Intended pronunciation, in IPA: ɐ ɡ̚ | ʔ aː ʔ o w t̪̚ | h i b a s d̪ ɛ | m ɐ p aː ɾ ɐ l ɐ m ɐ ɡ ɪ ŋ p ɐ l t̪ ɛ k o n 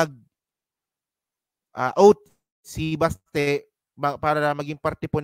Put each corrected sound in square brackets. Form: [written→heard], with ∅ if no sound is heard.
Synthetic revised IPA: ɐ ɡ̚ | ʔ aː ʔ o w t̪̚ | [h→s] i b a s [d̪→t̪] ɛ | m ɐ p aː ɾ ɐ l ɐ m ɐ ɡ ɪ ŋ p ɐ [l→ɾ] t̪ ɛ [k→p] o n

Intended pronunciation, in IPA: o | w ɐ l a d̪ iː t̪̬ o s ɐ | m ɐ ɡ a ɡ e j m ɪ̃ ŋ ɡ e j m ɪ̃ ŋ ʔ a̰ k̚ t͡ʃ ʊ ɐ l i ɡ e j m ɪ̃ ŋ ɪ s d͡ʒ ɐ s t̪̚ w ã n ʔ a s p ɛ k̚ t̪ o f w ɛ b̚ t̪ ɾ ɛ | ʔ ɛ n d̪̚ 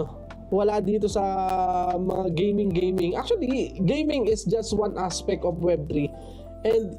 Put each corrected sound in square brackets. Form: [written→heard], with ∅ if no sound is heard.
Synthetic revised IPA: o | w ɐ l a d̪ iː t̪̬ o s ɐ | m ɐ [ɡ→ŋ] a ɡ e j m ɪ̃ ŋ ɡ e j m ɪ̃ ŋ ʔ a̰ k̚ t͡ʃ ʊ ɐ l i ɡ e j m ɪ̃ ŋ ɪ s d͡ʒ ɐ s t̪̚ w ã n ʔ a s p ɛ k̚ t̪ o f w ɛ b̚ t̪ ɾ [ɛ→i] | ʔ ɛ n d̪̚

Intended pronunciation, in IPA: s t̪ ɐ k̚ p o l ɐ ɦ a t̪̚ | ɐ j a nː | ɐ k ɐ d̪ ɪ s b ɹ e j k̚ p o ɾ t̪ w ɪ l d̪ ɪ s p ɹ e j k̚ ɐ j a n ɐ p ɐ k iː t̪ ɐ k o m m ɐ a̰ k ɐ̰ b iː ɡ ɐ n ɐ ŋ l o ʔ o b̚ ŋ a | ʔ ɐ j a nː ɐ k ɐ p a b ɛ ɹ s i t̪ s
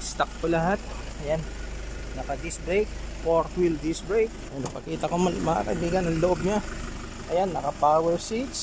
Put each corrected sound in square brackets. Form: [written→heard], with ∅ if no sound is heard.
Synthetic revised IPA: s t̪ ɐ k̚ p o l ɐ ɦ a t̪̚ | ɐ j a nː | ɐ k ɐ d̪ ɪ s b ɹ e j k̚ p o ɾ t̪ w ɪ l d̪ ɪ s [p→b] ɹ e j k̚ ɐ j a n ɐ p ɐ k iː t̪ ɐ k o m m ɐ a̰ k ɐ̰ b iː ɡ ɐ n ɐ ŋ l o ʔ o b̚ [ŋ→ɲ] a | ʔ ɐ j a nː ɐ k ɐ p a [b→w] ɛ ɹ s i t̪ s

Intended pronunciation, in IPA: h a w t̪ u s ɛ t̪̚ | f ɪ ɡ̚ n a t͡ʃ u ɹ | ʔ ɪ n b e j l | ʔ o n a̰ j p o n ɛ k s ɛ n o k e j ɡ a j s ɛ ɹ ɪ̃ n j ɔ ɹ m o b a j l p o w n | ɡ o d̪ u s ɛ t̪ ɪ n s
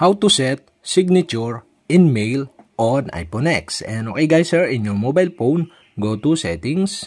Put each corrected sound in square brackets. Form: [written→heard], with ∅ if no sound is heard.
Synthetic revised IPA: h a w t̪ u s ɛ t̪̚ | [f→s] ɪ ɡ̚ n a t͡ʃ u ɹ | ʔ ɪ n [b→m] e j l | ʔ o n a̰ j p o n ɛ k s ɛ n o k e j ɡ a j s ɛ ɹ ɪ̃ n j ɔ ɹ m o b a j l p o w n | ɡ o [d̪→t̪] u s ɛ t̪ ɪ [n→ŋ] s

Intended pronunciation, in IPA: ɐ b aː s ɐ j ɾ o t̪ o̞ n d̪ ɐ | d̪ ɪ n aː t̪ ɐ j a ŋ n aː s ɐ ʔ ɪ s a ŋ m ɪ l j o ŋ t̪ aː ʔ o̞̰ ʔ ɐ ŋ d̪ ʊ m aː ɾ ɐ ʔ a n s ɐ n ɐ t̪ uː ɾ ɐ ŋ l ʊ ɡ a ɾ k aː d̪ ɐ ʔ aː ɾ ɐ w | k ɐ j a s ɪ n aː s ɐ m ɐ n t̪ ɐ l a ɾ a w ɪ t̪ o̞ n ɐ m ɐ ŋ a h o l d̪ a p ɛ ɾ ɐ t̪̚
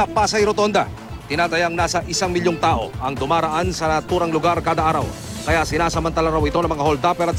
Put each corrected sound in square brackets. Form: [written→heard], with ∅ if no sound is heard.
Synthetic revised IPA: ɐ [b→p] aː s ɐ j ɾ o t̪ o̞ n d̪ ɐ | [d̪→t̪] ɪ n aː t̪ ɐ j a ŋ n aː s ɐ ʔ ɪ s a ŋ m ɪ l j o ŋ t̪ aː ʔ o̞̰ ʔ ɐ ŋ d̪ ʊ m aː ɾ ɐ ʔ a n s ɐ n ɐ t̪ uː ɾ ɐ ŋ l ʊ ɡ a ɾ k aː d̪ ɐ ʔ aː ɾ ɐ w | k ɐ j a s ɪ n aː s ɐ m ɐ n t̪ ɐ l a ɾ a w ɪ t̪ o̞ n ɐ m ɐ ŋ a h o l d̪ a p ɛ ɾ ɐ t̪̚

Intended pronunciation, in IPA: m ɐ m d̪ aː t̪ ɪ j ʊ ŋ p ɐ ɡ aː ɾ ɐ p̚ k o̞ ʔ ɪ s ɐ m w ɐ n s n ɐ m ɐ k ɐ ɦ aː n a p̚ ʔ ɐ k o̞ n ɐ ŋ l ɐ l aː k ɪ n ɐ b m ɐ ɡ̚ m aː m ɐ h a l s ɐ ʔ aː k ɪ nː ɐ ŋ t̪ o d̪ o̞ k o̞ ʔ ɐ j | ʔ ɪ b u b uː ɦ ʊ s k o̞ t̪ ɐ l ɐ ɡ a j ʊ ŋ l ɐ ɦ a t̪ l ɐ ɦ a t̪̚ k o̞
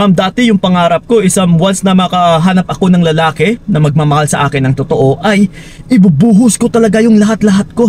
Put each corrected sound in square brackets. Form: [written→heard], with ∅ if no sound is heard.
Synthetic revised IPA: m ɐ m d̪ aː t̪ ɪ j ʊ ŋ p ɐ [ɡ→ŋ] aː ɾ ɐ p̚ k o̞ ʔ ɪ s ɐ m w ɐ n s n ɐ m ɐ k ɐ ɦ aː n [a→ɐ] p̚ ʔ ɐ k o̞ n ɐ ŋ l ɐ l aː k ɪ n ɐ [b→∅] m ɐ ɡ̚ m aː m ɐ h a l s ɐ ʔ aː k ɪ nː ɐ ŋ t̪ o [d̪→t̪] o̞ [k→ʔ] o̞ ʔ ɐ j | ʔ ɪ b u b uː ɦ ʊ s k o̞ t̪ ɐ l ɐ ɡ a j ʊ ŋ l ɐ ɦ a t̪ l ɐ ɦ a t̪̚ k o̞

